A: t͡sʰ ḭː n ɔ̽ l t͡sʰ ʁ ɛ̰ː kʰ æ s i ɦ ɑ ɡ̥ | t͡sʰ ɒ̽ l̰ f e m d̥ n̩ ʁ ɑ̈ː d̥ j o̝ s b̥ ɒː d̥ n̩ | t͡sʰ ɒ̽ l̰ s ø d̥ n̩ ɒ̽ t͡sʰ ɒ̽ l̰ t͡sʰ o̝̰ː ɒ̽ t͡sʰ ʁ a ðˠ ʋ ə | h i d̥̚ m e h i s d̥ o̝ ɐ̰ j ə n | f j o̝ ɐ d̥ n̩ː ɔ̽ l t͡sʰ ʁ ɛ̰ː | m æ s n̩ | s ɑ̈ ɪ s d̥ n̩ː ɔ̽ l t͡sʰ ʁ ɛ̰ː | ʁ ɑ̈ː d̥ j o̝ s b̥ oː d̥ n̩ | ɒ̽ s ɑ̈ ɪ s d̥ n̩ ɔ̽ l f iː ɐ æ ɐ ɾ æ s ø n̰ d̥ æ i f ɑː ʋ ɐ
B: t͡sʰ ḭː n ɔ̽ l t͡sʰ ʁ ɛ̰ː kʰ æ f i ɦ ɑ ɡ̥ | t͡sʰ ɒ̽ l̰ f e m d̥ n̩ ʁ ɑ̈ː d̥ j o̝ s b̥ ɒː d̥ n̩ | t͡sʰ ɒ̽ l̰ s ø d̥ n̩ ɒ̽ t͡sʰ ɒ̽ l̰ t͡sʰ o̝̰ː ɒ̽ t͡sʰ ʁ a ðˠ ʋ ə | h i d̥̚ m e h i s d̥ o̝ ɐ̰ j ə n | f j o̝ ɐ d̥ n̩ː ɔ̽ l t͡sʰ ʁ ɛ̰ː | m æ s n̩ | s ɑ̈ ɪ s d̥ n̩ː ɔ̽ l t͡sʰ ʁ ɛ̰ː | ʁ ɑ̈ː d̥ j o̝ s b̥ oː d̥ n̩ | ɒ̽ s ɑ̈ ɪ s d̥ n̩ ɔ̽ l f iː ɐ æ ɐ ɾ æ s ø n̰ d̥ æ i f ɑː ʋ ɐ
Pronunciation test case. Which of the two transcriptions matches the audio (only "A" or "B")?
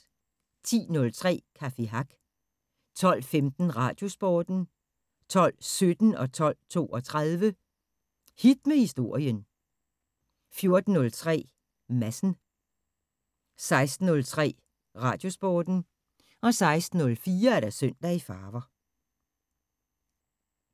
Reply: B